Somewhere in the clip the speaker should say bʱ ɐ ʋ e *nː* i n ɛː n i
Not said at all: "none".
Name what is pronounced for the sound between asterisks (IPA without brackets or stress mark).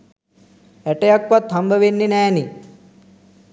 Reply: nː